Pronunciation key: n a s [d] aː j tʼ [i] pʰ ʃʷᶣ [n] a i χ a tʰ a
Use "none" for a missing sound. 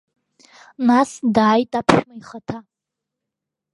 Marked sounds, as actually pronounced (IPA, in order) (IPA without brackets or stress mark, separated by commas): d, a, m